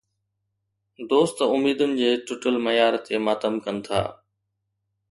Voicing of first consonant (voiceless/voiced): voiced